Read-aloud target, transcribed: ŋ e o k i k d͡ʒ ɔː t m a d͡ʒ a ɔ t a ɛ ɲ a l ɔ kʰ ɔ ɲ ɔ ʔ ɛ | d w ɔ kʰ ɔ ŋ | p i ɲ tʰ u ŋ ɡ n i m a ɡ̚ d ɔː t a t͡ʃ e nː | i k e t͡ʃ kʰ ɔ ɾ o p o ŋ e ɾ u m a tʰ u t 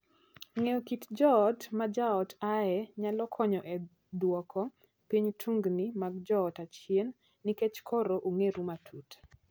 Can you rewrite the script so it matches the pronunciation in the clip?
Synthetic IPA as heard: ŋ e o k i t d͡ʒ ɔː t m a d͡ʒ a ɔ t a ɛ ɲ a l ɔ kʰ ɔ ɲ ɔ ʔ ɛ | d w ɔ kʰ ɔ | p i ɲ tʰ u ŋ ɡ n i m a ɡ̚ d͡ʒ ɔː t a t͡ʃ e nː | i k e t͡ʃ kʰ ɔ ɾ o ʔ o ŋ e ɾ u m a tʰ u t